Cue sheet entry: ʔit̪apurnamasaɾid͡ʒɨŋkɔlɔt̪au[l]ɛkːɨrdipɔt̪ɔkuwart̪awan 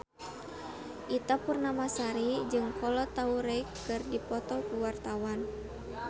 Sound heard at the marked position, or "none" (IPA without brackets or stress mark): ɾ